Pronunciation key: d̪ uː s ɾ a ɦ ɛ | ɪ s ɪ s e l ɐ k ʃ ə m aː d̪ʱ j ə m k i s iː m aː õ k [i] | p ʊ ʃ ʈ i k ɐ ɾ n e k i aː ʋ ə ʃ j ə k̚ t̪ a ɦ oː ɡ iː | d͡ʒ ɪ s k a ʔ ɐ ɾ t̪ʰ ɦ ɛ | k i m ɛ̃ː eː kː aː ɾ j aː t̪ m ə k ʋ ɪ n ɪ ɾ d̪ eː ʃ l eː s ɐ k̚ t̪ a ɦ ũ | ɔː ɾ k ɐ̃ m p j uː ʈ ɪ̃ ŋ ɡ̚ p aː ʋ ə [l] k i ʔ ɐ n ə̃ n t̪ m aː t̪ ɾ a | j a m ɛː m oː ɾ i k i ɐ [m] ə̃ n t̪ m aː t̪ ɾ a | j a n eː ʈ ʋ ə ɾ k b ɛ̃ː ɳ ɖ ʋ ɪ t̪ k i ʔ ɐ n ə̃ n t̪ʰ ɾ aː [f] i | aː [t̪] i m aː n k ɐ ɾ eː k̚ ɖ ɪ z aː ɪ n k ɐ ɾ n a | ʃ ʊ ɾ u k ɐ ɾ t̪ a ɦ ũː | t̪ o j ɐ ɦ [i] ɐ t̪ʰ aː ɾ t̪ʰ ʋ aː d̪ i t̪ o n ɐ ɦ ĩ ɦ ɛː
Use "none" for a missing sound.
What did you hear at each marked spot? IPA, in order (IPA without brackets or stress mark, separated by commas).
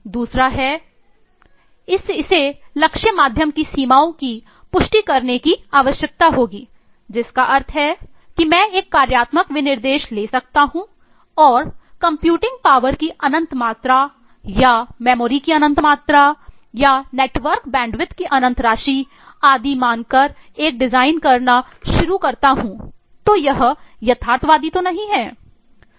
i, ɾ, n, ʃ, d̪, j